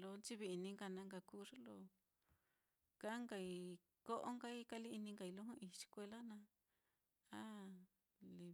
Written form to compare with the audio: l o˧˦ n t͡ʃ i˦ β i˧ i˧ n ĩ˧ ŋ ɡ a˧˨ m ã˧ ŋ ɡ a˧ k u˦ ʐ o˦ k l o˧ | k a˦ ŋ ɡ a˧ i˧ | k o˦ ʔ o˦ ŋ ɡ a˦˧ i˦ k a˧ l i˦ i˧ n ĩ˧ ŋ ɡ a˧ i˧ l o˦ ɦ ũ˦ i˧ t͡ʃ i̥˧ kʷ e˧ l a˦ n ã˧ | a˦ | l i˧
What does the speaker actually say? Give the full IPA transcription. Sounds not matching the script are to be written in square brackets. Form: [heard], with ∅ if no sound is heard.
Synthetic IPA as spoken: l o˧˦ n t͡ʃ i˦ β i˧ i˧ n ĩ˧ ŋ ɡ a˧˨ [n] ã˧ ŋ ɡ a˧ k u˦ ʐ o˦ [∅] l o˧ | k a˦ ŋ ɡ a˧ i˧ | k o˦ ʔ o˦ ŋ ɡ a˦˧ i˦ k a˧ l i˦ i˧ n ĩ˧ ŋ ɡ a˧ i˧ l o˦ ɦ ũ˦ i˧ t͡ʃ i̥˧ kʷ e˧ l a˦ n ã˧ | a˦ | l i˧